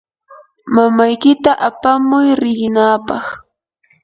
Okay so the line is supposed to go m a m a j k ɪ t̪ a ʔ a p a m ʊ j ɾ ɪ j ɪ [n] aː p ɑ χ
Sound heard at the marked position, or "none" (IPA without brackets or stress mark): n